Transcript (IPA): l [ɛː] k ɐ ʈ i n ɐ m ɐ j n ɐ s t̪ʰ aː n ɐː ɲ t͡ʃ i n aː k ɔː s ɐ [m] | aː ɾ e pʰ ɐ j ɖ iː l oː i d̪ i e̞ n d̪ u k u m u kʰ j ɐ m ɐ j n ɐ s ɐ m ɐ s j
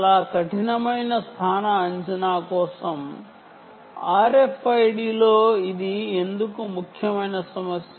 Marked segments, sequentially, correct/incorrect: incorrect, correct

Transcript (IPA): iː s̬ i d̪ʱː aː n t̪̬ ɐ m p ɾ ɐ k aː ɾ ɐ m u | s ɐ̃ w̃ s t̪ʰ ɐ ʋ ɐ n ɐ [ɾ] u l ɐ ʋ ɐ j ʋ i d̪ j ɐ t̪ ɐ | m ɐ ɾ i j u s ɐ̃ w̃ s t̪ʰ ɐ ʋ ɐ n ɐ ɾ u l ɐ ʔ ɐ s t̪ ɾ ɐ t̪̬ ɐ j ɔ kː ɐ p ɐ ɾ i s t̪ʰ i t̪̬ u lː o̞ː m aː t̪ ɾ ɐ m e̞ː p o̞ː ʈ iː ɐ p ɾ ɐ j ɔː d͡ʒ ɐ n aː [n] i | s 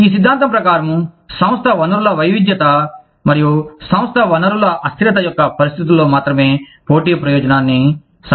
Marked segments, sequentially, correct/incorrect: correct, incorrect

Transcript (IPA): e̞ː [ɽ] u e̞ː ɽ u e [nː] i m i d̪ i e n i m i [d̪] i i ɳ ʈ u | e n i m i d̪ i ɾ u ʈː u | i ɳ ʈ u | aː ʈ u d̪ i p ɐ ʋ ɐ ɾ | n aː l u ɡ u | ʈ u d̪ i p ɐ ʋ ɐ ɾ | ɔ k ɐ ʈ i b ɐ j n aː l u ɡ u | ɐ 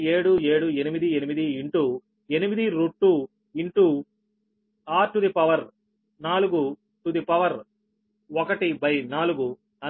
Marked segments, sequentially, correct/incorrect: correct, incorrect, correct

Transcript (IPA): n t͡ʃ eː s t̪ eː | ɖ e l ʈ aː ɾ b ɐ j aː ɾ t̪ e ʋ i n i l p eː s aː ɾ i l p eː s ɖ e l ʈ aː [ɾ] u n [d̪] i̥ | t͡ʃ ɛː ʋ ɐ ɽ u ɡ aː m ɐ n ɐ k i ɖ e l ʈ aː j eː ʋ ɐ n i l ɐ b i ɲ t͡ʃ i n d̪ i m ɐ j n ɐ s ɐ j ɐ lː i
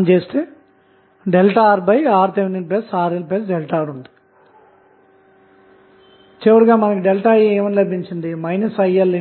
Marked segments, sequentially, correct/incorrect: correct, correct

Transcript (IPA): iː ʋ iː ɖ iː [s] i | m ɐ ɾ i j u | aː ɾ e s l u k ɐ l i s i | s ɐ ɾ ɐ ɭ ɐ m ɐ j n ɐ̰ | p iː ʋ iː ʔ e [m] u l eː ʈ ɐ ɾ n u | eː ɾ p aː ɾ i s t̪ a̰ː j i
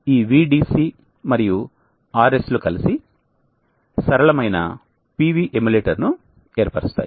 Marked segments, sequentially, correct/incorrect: correct, correct

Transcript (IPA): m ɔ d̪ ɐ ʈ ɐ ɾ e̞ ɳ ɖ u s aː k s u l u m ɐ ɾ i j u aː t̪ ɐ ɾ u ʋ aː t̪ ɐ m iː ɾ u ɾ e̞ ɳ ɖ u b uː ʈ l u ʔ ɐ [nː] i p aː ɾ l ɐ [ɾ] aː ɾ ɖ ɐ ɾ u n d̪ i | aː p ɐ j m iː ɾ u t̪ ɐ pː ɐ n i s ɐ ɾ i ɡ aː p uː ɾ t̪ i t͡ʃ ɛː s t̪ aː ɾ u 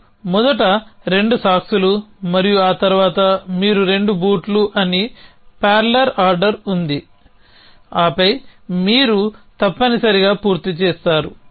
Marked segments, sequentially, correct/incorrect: incorrect, correct

